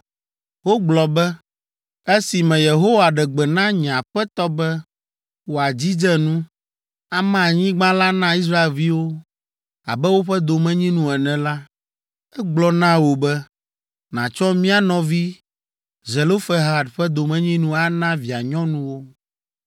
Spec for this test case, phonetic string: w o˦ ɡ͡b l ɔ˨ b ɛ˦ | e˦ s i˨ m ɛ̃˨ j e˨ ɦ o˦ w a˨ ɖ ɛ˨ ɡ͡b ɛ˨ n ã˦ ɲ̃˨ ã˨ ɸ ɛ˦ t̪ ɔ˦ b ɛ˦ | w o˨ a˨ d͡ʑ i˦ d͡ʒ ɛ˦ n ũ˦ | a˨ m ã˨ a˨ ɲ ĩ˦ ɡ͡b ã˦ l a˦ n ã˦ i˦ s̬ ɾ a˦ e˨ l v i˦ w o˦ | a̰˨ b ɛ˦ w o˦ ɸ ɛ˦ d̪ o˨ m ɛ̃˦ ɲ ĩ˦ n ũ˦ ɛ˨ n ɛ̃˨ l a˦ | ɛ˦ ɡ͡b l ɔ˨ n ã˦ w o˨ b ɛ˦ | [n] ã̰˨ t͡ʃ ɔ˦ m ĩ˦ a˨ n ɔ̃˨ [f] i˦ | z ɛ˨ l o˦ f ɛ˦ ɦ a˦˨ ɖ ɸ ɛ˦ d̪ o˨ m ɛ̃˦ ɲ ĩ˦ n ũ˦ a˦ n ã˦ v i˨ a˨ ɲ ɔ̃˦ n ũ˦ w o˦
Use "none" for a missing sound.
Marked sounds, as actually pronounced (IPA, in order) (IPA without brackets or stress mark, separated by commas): n, v